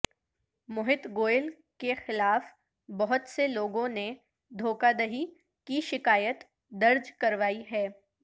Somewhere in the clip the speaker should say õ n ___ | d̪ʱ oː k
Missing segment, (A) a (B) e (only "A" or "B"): B